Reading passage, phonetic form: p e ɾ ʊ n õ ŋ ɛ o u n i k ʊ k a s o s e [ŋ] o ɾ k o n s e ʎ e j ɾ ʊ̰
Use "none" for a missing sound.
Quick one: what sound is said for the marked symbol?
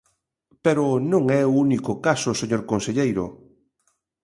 ɲ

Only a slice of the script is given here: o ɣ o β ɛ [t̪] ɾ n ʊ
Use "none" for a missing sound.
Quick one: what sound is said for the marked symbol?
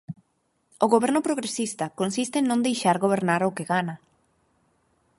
none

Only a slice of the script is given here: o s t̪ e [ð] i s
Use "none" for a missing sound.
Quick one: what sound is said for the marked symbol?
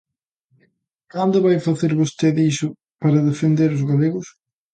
ð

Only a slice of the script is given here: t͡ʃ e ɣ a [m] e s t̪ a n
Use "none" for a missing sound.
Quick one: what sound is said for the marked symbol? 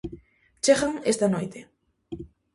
ŋ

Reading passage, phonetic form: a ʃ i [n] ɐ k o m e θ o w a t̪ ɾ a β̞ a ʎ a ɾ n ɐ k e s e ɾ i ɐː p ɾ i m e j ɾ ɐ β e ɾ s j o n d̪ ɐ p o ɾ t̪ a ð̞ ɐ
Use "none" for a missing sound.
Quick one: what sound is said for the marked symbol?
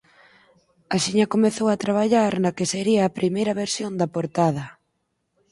ɲ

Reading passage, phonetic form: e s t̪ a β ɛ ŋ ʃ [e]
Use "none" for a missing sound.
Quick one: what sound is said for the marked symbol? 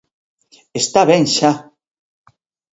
a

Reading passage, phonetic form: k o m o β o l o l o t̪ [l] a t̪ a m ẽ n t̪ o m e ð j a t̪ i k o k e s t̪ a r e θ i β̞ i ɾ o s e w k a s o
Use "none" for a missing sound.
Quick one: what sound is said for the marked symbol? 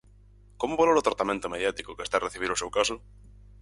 ɾ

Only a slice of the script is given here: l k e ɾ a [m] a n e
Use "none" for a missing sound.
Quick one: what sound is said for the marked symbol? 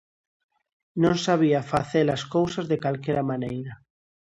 m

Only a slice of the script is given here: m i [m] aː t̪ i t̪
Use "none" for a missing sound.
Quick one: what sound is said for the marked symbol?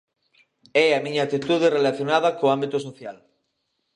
ɲ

